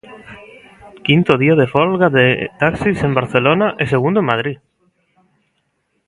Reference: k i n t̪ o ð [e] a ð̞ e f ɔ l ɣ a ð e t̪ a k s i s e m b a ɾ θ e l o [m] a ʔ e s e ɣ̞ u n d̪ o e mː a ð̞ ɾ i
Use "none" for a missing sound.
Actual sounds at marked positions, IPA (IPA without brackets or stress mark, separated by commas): i, n